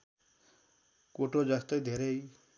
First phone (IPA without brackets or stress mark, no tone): k